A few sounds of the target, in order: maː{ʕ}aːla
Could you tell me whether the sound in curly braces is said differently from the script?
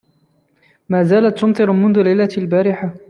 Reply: yes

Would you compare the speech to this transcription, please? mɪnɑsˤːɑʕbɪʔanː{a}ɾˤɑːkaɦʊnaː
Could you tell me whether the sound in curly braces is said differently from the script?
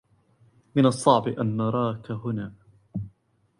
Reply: yes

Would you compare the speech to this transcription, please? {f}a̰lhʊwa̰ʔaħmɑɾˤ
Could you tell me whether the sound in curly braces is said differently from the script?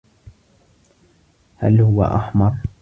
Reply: yes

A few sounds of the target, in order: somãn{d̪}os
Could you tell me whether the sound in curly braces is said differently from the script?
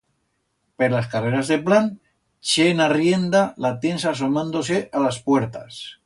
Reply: no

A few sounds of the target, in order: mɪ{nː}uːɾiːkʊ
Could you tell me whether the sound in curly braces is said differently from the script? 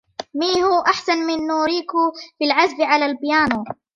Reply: no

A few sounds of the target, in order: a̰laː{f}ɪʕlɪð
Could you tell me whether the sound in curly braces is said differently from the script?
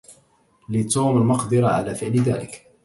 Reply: no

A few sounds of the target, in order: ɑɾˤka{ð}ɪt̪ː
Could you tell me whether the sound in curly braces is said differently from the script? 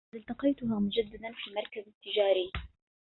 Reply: yes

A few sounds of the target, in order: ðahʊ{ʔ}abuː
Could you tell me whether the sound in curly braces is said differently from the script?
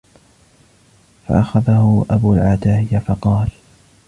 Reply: no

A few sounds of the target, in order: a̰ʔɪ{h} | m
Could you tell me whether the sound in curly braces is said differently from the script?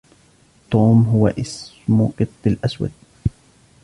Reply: yes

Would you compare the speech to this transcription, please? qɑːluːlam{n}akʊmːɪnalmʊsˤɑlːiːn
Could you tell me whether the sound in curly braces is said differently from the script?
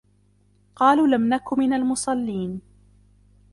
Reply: no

